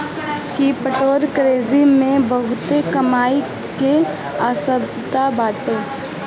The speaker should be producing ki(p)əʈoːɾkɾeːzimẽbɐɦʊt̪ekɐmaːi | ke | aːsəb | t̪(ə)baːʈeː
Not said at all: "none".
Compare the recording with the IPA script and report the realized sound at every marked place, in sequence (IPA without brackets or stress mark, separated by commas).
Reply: p, a